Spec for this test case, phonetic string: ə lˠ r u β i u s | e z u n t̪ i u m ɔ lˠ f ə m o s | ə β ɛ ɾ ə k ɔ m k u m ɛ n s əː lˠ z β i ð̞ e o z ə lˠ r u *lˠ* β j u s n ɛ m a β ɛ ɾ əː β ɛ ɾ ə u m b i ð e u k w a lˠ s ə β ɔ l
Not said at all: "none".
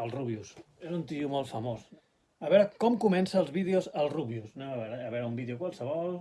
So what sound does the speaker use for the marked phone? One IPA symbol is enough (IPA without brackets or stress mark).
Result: none